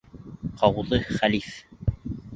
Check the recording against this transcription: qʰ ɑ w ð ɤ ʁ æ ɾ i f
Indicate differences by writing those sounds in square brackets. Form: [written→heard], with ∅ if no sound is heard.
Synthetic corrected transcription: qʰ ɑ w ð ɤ [ʁ→χ] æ [ɾ→l] i f